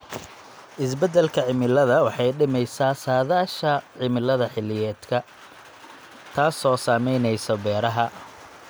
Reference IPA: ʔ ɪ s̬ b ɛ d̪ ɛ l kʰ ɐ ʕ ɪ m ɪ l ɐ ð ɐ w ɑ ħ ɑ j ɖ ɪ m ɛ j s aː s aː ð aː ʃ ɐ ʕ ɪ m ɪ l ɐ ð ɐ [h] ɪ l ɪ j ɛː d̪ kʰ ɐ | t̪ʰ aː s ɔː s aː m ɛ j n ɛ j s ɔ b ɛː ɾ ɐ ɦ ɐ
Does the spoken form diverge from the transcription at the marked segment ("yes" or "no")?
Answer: yes